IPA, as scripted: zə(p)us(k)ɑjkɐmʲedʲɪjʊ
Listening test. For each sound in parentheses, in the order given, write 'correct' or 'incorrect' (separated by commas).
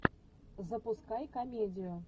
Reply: correct, correct